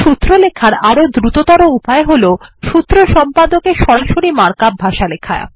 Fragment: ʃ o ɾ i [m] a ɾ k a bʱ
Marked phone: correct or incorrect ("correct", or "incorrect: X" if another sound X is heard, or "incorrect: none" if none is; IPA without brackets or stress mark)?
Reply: correct